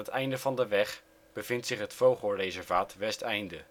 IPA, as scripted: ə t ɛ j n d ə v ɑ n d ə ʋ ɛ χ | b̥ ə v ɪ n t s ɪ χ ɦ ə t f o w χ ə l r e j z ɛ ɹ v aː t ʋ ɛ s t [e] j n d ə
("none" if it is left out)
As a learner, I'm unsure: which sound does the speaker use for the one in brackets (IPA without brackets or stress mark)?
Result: ɛ